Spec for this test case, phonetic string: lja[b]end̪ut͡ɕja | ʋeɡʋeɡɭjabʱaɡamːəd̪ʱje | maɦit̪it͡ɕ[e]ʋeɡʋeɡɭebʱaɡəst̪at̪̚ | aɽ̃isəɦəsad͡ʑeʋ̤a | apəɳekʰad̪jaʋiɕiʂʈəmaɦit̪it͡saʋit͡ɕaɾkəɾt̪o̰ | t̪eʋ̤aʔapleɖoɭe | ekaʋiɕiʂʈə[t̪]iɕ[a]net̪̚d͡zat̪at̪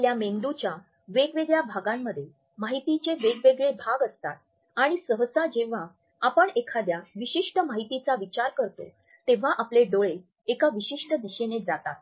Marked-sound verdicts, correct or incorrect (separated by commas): incorrect, correct, incorrect, incorrect